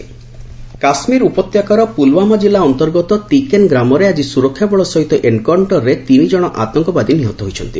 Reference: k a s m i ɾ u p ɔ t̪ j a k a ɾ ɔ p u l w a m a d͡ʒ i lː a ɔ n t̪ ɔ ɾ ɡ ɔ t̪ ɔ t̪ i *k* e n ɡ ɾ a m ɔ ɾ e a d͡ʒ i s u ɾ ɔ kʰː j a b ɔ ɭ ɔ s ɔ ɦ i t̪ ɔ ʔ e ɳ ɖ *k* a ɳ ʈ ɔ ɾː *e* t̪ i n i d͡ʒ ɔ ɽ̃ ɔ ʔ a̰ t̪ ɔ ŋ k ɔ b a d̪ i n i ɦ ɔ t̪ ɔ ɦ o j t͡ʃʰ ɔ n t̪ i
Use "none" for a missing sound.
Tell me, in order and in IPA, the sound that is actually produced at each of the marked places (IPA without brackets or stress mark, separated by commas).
k, k, e